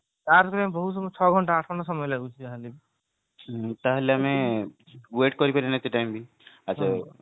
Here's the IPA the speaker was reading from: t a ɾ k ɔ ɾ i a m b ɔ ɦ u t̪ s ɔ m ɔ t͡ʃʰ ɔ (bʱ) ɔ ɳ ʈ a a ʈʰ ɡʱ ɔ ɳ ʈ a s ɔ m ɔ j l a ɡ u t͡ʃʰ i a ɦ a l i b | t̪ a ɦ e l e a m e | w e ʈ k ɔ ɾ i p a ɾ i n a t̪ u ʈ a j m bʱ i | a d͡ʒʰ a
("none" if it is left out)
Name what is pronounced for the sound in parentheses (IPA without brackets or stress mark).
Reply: ɡʱ